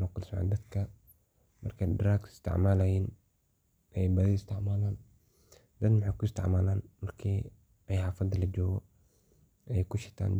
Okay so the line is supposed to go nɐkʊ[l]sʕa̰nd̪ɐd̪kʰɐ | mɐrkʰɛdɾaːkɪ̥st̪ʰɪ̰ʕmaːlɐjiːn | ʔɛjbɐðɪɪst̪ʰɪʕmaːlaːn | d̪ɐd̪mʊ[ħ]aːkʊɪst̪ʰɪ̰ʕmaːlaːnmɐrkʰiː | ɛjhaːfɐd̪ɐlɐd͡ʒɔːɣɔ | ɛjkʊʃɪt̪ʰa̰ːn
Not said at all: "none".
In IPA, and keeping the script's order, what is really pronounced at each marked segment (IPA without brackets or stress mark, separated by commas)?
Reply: l, ħ